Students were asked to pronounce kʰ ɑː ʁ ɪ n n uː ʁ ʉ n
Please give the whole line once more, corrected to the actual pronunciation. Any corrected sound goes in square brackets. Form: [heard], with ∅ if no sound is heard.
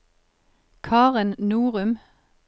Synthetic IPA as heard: kʰ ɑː ʁ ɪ n n uː ʁ ʉ [m]